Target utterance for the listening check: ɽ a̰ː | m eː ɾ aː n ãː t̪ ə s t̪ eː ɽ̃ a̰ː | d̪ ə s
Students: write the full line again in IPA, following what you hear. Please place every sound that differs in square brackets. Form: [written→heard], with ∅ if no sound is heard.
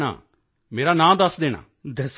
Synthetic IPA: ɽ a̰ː | m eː ɾ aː n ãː [t̪→d̪] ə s [t̪→d̪] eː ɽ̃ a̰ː | d̪ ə s